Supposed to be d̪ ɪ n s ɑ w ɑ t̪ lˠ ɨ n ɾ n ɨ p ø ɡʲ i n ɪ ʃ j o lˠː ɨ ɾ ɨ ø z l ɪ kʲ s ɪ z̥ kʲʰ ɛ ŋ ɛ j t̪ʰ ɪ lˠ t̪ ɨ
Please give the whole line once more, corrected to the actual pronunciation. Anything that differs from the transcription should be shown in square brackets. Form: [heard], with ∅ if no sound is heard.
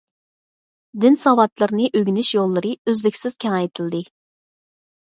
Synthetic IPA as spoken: d̪ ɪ n s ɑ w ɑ t̪ lˠ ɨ [∅] ɾ n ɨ [ʔ] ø ɡʲ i n ɪ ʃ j o lˠː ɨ ɾ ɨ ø z l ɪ kʲ s ɪ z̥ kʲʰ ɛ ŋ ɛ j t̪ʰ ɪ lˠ [d̪] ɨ